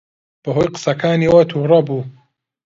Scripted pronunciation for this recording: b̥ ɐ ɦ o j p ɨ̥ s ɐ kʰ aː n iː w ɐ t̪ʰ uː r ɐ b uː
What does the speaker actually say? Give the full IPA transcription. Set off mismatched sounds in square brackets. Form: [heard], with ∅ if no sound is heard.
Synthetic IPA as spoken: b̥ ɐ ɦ o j [q] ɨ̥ s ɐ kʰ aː n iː w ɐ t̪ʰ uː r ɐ b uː